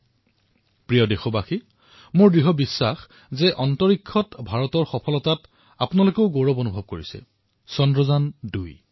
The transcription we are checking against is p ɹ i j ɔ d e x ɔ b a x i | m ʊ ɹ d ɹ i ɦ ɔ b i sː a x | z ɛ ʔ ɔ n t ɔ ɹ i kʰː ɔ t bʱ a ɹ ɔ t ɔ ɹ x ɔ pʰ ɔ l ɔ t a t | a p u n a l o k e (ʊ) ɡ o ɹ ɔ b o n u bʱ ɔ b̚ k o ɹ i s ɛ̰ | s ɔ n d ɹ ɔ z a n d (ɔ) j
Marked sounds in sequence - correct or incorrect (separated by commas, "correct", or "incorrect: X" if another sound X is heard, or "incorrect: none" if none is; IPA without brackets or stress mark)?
correct, incorrect: u